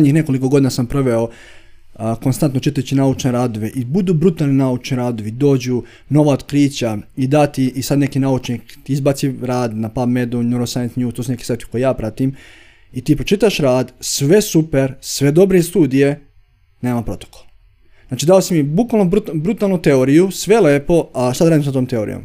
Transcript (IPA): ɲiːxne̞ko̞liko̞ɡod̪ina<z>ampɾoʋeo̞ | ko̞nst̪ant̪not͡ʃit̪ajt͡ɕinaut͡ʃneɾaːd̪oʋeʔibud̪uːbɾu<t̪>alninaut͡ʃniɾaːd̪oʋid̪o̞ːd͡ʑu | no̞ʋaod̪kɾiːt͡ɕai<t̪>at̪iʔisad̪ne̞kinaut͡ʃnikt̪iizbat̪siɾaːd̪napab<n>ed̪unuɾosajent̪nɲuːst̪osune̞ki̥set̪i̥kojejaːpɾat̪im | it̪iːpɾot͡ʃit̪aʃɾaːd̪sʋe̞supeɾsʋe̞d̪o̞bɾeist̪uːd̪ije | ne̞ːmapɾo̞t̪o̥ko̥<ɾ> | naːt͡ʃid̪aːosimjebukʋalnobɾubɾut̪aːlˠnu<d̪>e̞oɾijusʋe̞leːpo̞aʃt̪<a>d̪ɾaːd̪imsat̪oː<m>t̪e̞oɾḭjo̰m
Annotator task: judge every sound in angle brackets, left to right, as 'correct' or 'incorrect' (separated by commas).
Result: incorrect, correct, incorrect, incorrect, incorrect, incorrect, correct, correct